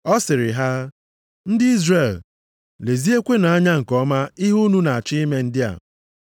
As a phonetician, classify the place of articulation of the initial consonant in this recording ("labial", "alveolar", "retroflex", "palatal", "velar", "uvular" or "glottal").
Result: alveolar